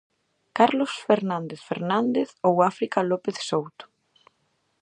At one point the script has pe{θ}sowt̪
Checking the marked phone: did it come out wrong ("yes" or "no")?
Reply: no